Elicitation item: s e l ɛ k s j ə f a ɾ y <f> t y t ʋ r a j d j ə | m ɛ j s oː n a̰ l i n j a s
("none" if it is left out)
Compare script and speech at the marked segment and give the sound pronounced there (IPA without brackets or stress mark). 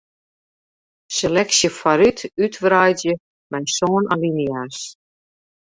none